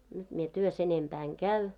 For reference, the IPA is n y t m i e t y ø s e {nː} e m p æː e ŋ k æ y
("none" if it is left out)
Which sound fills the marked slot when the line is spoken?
n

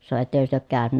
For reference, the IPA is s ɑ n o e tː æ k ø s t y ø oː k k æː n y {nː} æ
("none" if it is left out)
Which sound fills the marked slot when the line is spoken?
n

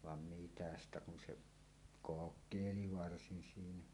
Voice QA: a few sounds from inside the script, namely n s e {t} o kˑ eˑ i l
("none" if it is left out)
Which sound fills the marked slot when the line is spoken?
k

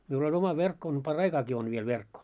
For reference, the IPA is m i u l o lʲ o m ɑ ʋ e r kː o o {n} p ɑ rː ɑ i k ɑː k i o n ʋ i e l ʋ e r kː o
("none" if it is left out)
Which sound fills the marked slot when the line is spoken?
n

